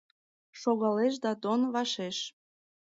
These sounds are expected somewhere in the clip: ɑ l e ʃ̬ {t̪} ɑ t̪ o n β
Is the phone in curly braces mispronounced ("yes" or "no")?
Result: yes